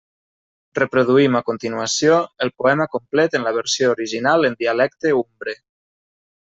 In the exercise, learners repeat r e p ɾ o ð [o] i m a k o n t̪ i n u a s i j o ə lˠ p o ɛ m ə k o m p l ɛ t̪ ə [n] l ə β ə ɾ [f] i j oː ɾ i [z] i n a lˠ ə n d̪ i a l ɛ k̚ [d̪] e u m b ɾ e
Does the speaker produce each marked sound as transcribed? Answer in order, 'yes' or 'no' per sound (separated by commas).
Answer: no, yes, no, no, no